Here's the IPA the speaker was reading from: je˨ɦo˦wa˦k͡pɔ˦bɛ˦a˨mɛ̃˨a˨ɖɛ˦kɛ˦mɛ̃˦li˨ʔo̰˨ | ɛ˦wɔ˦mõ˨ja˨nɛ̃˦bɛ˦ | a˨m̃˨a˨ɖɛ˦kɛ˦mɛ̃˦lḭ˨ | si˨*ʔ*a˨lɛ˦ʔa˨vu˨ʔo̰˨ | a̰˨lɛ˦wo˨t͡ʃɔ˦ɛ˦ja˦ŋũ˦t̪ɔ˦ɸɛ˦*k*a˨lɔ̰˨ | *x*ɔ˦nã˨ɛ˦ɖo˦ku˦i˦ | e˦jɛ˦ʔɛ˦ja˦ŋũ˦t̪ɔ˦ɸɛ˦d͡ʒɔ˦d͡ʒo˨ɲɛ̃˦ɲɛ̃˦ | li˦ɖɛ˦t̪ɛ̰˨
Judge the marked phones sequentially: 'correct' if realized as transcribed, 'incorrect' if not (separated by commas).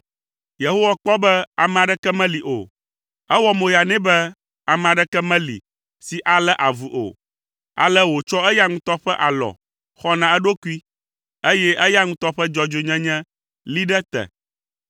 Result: correct, incorrect, correct